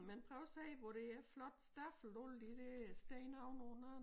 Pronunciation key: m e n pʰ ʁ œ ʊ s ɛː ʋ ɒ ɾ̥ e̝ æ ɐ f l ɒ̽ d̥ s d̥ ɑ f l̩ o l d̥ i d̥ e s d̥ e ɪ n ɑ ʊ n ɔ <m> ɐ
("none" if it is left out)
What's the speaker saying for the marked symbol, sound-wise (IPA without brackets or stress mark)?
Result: n